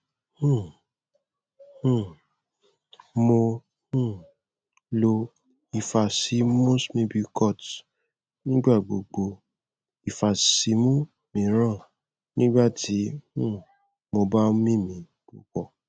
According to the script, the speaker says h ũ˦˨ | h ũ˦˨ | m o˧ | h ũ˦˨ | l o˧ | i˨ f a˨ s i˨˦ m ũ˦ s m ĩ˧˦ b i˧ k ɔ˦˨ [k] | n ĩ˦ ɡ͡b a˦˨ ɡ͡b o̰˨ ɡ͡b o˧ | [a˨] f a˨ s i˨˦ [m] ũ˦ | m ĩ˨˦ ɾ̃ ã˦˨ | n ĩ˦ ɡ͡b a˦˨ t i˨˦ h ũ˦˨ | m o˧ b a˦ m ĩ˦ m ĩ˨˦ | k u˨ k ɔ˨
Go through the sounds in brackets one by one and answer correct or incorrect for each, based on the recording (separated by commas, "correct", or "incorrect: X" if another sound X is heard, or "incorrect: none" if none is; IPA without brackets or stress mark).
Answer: incorrect: t, incorrect: i˨, correct